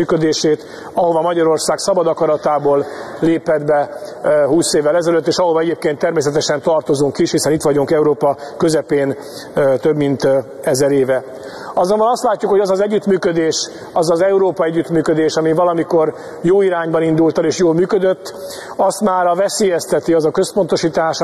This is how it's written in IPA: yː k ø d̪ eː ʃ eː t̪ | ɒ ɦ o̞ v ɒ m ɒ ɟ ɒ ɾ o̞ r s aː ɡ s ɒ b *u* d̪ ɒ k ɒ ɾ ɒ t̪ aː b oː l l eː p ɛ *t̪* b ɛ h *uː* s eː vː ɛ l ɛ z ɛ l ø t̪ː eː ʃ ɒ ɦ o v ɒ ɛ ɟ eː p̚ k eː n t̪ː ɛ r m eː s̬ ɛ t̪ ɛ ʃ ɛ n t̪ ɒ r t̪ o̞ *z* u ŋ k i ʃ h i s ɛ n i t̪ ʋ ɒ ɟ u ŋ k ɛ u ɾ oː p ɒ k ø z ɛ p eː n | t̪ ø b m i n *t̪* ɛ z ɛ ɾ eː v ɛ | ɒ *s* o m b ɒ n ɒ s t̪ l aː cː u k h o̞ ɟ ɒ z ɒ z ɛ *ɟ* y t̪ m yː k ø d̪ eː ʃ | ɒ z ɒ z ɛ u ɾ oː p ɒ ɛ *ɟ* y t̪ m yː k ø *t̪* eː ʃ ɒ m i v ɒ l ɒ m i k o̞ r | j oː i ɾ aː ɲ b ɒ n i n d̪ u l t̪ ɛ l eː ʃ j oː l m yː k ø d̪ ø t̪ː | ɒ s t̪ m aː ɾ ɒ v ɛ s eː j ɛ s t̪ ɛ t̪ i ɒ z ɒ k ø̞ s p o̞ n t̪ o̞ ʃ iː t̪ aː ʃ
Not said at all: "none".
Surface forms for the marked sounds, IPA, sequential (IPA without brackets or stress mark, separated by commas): ɒ, d̪, uː, z, t̪, z, ɟː, ɟː, d̪